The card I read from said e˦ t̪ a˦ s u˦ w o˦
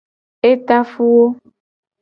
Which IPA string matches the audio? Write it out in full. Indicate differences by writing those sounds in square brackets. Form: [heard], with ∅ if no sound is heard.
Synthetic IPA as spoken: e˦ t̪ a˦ [f] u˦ w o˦